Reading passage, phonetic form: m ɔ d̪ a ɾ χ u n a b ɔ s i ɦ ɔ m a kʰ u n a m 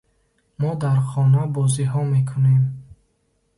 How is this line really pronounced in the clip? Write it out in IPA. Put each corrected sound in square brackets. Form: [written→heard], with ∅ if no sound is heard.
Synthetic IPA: m ɔ d̪ a ɾ χ [u→ɔ] n a b ɔ [s→z] i ɦ ɔ m [a→e] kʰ u n [a→e] m